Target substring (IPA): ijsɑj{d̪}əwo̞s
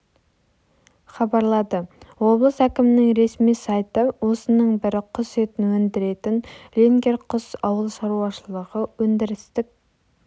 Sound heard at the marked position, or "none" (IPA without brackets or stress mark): t̪